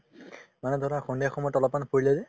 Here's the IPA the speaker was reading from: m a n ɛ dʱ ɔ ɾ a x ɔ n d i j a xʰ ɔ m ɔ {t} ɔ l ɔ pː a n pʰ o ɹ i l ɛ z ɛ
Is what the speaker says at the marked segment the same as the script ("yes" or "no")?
yes